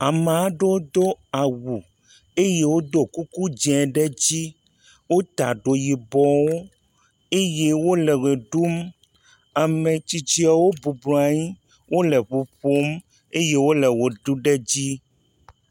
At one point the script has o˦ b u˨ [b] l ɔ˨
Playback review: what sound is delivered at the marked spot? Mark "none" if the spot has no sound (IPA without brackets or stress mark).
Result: b